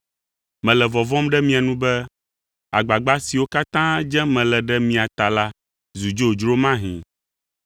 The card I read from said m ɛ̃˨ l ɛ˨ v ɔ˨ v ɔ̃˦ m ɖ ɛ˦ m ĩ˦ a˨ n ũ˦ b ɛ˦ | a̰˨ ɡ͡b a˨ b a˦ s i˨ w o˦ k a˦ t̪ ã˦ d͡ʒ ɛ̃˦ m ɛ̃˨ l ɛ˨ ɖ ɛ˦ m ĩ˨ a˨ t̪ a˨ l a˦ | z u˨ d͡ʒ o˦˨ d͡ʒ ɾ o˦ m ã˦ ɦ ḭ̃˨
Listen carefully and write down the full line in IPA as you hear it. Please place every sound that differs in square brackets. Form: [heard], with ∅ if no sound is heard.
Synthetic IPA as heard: m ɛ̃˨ l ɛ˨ v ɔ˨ v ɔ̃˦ m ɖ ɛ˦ m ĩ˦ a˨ n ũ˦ b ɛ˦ | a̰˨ ɡ͡b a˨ [ɡ͡b] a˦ s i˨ w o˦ k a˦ t̪ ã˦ d͡ʒ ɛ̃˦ m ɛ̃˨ l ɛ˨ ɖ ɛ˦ m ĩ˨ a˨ t̪ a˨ l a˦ | z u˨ d͡ʒ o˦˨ d͡ʒ ɾ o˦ m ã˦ ɦ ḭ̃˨